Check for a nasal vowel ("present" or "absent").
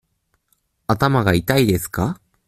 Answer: absent